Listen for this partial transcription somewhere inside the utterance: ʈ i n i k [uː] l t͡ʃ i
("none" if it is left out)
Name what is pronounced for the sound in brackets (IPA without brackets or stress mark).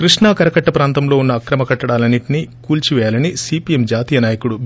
uː